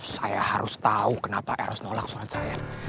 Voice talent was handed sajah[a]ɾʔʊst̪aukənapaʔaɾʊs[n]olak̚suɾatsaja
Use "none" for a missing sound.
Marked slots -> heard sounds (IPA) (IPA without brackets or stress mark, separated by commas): a, n